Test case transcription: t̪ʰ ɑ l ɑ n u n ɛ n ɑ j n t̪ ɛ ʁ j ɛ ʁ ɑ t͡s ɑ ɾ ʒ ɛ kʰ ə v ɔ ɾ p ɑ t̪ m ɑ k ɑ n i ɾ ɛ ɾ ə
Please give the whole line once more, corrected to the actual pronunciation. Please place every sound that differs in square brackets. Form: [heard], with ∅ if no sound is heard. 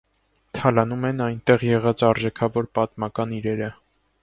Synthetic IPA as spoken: t̪ʰ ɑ l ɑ n u [m] ɛ n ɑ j n t̪ ɛ ʁ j ɛ ʁ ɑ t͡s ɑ ɾ ʒ ɛ kʰ [ɑ] v ɔ ɾ p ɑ t̪ m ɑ k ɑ n i ɾ ɛ ɾ ə

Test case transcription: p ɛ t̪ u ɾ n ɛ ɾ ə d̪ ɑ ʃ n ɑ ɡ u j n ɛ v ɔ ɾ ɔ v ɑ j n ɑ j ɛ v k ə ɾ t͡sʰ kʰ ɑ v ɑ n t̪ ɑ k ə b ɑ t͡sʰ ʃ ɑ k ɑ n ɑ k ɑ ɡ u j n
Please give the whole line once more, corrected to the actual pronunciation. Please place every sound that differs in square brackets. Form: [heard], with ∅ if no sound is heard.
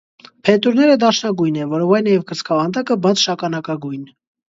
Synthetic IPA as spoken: [pʰ] ɛ t̪ u ɾ n ɛ ɾ ə d̪ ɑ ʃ n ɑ ɡ u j n ɛ v ɔ ɾ ɔ v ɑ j n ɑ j ɛ v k ə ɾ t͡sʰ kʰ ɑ v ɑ n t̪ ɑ k ə b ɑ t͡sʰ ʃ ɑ k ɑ n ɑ k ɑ ɡ u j n

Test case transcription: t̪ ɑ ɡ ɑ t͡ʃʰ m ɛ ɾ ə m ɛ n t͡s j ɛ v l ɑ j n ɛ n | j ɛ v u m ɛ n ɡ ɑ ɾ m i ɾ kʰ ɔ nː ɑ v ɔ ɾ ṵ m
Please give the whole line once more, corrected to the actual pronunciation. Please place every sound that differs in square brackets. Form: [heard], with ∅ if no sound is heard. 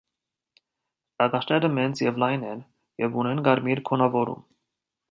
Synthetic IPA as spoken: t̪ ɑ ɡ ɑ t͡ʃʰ [n] ɛ ɾ ə m ɛ n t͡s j ɛ v l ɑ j n ɛ n | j ɛ v u [n] ɛ n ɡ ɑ ɾ m i ɾ kʰ ɔ [n] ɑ v ɔ ɾ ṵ m

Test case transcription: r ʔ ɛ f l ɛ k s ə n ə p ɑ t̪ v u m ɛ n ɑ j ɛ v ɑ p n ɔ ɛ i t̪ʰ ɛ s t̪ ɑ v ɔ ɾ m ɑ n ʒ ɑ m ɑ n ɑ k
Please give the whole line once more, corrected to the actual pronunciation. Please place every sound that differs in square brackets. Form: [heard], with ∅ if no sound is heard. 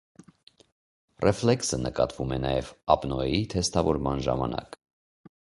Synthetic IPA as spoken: r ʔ ɛ f l ɛ k s ə n ə [k] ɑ t̪ v u m ɛ n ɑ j ɛ v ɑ p n ɔ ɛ i t̪ʰ ɛ s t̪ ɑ v ɔ ɾ m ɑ n ʒ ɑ m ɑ n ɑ k

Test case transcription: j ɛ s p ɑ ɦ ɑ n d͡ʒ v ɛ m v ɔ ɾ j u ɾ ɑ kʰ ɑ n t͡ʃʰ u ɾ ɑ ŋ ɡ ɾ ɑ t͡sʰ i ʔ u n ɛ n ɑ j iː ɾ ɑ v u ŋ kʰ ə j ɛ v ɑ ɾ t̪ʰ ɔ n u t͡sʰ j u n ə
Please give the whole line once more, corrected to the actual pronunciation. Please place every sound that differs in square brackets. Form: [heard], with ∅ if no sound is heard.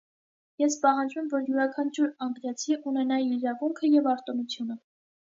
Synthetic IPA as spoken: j ɛ s p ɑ ɦ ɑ n d͡ʒ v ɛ m v ɔ ɾ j u ɾ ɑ kʰ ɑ n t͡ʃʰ u ɾ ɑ ŋ ɡ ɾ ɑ t͡sʰ i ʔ u n ɛ n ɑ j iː ɾ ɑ v u ŋ kʰ ə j ɛ v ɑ ɾ [t̪] ɔ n u t͡sʰ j u n ə

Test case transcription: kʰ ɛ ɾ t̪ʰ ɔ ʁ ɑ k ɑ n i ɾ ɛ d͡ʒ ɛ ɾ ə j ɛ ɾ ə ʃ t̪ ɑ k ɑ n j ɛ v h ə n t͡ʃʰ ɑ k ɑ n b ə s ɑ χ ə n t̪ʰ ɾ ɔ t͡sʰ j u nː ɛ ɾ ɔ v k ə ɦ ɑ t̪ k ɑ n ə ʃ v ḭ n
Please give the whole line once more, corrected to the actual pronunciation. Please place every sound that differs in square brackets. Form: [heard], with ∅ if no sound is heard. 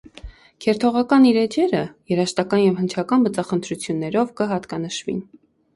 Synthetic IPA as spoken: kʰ ɛ ɾ t̪ʰ ɔ ʁ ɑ k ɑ n i ɾ ɛ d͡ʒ ɛ ɾ ə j ɛ ɾ [ɑ] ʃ t̪ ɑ k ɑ n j ɛ v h ə n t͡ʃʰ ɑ k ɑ n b ə [t͡s] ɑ χ ə n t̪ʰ ɾ [u] t͡sʰ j u nː ɛ ɾ ɔ v k ə ɦ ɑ t̪ k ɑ n ə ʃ v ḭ n

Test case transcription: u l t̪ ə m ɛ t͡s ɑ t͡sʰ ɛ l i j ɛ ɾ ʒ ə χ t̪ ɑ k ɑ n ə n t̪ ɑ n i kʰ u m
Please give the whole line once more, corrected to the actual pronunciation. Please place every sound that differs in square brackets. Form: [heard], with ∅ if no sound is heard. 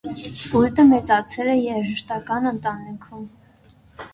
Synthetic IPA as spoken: u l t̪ ə m ɛ t͡s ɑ t͡sʰ ɛ l [ɛ] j ɛ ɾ ʒ ə [ʃ] t̪ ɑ k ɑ n ə n t̪ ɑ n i kʰ u m

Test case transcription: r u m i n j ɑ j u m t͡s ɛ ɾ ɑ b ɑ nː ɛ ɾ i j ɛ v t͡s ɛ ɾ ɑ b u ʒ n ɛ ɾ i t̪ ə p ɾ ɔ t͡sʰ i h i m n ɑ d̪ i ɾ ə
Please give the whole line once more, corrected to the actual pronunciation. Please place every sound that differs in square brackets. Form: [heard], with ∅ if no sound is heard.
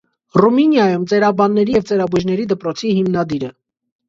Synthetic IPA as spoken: r u m i n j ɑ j u m t͡s ɛ ɾ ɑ b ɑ nː ɛ ɾ i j ɛ v t͡s ɛ ɾ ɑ b u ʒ n ɛ ɾ i [d̪] ə p ɾ ɔ t͡sʰ i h i m n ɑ d̪ i ɾ ə

